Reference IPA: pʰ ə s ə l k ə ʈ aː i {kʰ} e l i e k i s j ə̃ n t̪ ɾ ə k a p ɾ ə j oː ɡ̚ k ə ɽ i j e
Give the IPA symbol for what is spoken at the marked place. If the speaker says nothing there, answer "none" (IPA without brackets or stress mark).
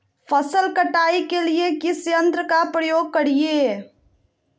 k